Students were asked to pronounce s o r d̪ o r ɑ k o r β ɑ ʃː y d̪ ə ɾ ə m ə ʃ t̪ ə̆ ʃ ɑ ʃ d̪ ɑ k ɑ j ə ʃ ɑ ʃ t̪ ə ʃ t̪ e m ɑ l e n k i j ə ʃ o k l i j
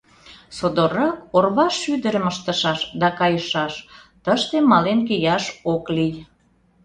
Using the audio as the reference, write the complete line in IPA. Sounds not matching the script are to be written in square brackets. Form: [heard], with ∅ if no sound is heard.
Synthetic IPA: s o [∅] d̪ o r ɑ k o r β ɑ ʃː y d̪ ə ɾ ə m ə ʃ t̪ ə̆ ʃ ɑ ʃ d̪ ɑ k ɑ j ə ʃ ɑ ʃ t̪ ə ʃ t̪ e m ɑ l e n k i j [ɑ] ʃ o k l i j